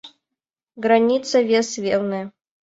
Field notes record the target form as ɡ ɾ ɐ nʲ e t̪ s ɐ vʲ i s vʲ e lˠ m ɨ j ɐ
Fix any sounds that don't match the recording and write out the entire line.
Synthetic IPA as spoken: ɡ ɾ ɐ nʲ i t̪ s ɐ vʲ e s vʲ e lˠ n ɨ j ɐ